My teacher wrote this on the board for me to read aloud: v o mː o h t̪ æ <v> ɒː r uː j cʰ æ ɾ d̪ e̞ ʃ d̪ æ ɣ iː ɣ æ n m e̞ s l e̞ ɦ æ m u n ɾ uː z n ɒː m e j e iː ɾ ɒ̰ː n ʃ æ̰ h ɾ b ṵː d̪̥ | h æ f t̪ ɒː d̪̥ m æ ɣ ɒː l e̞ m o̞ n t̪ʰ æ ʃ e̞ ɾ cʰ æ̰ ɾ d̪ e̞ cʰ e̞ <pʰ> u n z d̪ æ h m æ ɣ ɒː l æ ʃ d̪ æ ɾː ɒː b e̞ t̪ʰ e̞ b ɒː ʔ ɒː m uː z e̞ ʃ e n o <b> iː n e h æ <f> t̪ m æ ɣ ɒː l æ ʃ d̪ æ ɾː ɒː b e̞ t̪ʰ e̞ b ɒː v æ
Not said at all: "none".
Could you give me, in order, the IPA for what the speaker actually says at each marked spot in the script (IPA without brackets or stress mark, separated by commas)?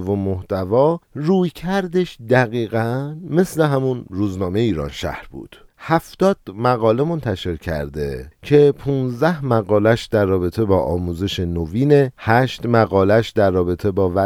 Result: v, pʰ, v, ʃ